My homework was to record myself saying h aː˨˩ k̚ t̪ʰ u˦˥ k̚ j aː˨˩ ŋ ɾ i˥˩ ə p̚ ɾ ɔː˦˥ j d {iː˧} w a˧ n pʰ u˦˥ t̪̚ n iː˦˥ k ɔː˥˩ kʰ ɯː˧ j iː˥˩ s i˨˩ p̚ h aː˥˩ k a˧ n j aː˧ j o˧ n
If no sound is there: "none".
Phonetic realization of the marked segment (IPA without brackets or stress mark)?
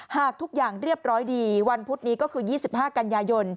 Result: iː˧